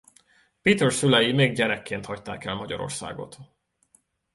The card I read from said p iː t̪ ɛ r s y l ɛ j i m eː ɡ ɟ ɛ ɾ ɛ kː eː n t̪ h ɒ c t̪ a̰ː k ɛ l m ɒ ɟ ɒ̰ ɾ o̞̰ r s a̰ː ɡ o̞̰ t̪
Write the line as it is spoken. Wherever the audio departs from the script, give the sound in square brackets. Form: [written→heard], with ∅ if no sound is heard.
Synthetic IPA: p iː t̪ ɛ r s y l ɛ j i m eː ɡ ɟ ɛ ɾ ɛ kː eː n t̪ h ɒ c t̪ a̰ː k ɛ l m ɒ ɟ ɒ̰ ɾ o̞̰ r s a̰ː ɡ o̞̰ t̪